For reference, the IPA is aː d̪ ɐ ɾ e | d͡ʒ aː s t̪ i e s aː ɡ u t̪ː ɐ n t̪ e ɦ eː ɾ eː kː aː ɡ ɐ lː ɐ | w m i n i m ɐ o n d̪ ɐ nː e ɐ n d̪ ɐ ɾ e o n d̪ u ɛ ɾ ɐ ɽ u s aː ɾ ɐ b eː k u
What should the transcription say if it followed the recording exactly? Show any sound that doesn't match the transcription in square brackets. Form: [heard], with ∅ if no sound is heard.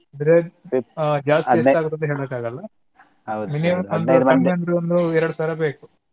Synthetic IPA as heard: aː d̪ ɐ ɾ e | d͡ʒ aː s t̪ i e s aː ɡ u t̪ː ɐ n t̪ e ɦ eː [ɭ] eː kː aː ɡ ɐ lː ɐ | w m i n i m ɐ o n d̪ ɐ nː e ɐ n d̪ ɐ ɾ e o n d̪ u ɛ ɾ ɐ ɽ u s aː ɾ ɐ b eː k u